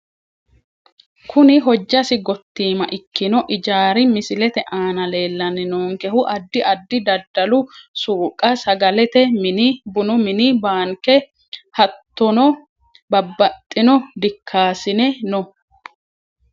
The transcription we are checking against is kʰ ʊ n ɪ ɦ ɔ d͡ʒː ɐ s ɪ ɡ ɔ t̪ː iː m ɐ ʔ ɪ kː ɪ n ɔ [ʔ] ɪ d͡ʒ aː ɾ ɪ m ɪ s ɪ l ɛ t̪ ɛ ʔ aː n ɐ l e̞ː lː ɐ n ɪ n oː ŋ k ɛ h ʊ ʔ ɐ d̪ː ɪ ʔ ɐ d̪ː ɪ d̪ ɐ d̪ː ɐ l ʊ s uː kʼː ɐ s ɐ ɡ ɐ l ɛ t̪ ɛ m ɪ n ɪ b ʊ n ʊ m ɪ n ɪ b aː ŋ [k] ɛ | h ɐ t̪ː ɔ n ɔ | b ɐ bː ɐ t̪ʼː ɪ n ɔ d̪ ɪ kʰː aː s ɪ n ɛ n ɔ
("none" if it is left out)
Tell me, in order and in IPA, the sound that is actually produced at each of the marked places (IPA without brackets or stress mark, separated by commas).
ʔ, k